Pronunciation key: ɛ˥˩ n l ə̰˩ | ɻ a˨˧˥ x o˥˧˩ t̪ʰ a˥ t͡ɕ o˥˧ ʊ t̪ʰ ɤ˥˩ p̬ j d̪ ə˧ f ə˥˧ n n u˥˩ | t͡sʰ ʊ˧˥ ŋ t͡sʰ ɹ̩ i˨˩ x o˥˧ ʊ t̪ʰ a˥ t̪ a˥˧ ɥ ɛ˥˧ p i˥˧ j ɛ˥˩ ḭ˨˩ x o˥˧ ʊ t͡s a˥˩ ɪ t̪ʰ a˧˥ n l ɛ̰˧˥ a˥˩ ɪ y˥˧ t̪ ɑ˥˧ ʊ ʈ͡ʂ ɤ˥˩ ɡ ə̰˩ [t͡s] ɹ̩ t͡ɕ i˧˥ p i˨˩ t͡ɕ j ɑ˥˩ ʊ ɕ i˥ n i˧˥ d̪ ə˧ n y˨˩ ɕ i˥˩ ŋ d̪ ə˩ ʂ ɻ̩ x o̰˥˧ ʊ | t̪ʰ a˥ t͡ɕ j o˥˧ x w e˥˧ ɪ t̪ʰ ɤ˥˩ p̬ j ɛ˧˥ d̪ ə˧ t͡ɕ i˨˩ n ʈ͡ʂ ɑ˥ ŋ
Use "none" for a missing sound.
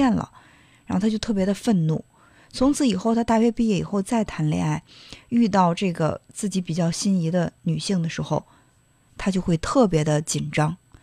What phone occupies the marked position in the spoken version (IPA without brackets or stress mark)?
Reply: t͡s